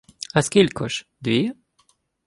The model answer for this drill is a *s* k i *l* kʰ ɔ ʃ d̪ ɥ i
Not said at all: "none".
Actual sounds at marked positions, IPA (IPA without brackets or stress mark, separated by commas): s, l